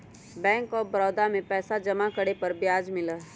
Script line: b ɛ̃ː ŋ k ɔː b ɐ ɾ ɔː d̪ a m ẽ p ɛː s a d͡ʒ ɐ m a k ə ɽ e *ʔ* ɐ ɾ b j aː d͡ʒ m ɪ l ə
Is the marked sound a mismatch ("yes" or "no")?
yes